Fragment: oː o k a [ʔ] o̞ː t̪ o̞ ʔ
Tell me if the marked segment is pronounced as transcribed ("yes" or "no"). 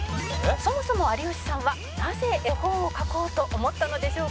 no